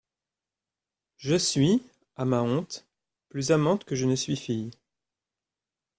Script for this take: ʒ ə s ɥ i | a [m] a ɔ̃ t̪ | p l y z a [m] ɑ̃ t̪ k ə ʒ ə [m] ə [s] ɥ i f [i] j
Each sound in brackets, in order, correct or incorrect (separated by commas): correct, correct, incorrect, correct, correct